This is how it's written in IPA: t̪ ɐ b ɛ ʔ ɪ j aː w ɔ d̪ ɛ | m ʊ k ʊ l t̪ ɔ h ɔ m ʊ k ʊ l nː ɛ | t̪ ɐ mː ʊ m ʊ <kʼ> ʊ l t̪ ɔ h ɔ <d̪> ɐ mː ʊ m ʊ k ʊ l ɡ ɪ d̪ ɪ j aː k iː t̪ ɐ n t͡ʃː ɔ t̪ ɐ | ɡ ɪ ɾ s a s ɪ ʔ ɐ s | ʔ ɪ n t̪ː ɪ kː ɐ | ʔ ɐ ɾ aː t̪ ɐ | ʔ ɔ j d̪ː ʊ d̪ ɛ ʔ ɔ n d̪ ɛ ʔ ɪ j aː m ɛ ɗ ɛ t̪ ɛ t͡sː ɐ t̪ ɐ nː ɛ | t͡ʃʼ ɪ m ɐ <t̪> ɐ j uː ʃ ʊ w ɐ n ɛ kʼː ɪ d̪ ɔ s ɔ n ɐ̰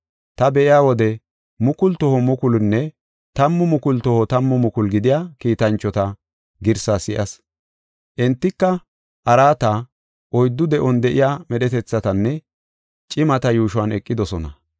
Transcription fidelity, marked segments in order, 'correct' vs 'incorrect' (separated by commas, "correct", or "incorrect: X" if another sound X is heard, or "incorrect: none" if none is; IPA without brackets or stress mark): incorrect: k, incorrect: t̪, correct